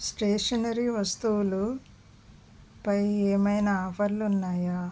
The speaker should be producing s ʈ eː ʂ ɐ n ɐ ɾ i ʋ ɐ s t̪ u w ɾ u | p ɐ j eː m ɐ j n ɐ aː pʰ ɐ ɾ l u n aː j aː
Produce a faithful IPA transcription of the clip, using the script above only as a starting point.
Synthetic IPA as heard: s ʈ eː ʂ ɐ n ɐ ɾ i ʋ ɐ s t̪ u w l u | p ɐ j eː m ɐ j n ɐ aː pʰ ɐ ɾ l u nː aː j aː